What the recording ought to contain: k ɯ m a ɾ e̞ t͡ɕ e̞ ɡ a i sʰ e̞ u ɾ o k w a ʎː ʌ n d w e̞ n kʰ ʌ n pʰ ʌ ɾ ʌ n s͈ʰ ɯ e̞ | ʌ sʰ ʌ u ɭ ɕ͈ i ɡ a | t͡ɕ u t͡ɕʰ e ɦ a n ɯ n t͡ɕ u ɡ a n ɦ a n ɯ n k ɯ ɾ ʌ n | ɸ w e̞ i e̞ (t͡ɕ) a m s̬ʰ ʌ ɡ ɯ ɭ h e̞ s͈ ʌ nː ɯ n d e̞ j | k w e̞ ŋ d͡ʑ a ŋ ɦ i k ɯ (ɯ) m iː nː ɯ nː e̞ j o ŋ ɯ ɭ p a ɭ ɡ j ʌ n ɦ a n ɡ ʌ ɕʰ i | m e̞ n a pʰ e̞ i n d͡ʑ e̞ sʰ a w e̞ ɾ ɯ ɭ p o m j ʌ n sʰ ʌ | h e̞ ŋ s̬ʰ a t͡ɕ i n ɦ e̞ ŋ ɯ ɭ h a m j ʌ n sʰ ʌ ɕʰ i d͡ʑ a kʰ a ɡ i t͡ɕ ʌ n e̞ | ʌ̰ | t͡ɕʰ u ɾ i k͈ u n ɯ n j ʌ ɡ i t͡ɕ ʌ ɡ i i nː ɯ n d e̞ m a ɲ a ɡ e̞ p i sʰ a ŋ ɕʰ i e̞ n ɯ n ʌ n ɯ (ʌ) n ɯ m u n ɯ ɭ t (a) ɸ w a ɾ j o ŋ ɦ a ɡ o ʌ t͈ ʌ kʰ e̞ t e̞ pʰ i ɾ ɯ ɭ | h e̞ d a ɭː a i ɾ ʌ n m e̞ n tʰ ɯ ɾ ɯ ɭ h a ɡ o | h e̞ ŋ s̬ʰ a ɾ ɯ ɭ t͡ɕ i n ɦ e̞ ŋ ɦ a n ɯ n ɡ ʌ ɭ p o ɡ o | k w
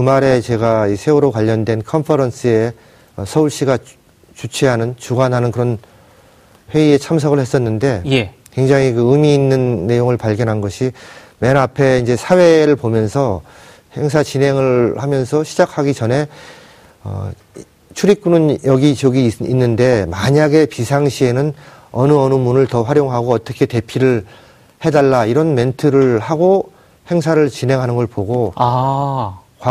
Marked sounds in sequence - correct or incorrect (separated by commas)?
incorrect, correct, correct, incorrect